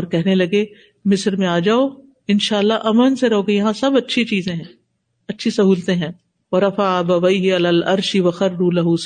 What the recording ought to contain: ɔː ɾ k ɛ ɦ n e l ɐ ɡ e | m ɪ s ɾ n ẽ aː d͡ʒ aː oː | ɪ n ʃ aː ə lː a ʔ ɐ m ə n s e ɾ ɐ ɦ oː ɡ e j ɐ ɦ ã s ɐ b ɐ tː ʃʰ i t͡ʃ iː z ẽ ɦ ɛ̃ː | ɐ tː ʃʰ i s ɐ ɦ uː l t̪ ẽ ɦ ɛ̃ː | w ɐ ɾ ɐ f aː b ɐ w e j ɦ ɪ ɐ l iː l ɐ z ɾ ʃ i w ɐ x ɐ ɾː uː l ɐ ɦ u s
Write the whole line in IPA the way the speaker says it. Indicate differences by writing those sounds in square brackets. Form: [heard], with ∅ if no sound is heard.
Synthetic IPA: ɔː ɾ k ɛ ɦ n e l ɐ ɡ e | m ɪ s ɾ [m] ẽ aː d͡ʒ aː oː | ɪ n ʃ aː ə lː a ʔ ɐ m ə n s e ɾ ɐ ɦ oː ɡ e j ɐ ɦ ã s ɐ b ɐ tː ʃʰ i t͡ʃ iː z ẽ ɦ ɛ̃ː | ɐ tː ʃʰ i s ɐ ɦ uː l t̪ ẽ ɦ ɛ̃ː | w ɐ ɾ ɐ f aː b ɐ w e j ɦ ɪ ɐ l [aː] l ɐ [∅] ɾ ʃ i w ɐ x ɐ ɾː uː l ɐ ɦ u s